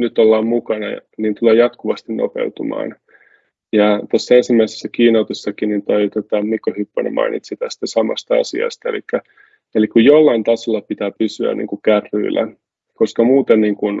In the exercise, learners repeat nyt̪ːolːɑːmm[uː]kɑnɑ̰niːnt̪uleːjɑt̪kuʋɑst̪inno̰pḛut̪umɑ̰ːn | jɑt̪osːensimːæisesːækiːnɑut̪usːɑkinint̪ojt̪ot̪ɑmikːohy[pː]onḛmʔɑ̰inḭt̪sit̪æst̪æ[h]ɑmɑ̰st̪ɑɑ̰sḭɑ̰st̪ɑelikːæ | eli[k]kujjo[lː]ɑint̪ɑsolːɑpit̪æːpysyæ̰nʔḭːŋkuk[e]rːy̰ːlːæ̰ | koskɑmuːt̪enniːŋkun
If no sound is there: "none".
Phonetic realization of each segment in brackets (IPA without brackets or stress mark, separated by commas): u, pː, s, k, lː, æ